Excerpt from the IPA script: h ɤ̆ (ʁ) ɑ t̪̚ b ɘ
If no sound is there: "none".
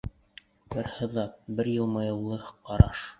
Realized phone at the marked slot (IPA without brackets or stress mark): ð